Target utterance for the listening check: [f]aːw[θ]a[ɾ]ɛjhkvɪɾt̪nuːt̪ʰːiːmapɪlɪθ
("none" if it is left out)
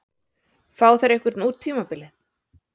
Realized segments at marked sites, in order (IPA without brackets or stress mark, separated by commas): f, θ, ɾ